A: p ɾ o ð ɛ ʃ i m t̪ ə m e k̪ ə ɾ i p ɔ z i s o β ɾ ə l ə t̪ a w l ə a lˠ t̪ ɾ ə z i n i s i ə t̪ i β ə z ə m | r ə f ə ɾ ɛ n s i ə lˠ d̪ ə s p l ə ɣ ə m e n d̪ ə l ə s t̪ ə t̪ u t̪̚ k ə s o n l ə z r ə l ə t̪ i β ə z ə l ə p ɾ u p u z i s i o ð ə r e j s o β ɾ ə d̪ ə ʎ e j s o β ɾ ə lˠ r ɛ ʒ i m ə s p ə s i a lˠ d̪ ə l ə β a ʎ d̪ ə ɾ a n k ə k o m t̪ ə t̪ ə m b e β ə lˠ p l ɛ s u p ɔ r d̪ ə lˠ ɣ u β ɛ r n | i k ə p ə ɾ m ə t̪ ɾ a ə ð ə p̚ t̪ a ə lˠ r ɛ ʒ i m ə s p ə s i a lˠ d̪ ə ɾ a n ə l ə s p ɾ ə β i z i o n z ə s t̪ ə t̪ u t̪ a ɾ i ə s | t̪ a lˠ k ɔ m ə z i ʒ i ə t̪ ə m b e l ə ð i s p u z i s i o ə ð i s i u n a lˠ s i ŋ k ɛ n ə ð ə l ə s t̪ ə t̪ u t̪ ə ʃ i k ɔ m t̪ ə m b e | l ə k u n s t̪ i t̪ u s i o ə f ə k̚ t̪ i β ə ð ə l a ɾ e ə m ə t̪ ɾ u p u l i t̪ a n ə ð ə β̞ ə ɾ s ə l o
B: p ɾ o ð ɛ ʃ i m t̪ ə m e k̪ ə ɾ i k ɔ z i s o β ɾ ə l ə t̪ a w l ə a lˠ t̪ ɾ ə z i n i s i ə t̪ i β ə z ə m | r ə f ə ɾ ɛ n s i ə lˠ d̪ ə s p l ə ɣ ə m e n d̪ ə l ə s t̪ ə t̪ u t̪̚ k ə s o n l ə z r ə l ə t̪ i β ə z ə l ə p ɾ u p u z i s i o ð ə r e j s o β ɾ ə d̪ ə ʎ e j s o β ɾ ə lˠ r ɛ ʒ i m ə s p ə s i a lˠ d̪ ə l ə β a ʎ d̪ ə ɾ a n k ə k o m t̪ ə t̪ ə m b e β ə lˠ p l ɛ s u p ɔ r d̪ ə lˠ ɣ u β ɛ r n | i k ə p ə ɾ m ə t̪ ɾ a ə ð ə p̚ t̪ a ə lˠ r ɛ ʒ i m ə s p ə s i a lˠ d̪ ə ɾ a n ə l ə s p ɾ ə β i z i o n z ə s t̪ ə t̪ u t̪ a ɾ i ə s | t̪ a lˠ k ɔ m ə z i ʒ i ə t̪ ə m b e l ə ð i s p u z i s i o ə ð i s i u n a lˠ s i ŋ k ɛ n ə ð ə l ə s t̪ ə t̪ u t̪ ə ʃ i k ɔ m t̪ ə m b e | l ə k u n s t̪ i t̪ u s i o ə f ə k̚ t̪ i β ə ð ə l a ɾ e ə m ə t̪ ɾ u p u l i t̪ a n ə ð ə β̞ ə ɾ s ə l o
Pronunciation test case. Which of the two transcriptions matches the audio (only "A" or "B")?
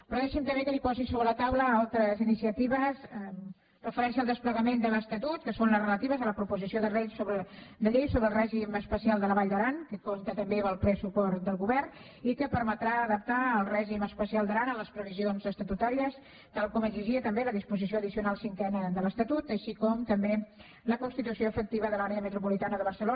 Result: A